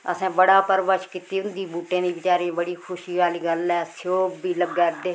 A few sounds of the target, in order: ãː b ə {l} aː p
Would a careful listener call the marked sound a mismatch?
yes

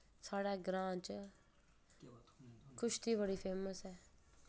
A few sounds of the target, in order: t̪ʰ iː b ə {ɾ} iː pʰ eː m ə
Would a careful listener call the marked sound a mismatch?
yes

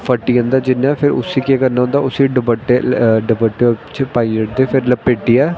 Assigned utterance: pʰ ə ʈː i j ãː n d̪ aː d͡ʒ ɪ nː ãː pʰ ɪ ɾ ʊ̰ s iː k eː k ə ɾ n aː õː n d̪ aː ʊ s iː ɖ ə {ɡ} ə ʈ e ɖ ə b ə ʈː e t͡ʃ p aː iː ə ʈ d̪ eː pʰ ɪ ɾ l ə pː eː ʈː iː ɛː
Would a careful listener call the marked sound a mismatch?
yes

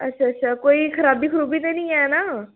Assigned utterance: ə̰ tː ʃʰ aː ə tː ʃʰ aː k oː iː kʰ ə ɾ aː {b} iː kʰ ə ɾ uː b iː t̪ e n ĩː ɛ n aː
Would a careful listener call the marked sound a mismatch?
no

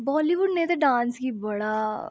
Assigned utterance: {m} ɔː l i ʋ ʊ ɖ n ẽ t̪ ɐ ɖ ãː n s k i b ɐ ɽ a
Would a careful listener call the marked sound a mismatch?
yes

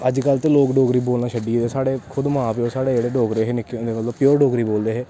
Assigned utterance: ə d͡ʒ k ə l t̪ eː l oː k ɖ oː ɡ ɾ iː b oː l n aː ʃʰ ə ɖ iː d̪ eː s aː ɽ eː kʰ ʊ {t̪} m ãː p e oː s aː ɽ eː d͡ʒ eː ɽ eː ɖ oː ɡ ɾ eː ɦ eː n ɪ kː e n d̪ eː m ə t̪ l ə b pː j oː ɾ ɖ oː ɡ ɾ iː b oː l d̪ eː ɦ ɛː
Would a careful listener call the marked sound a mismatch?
yes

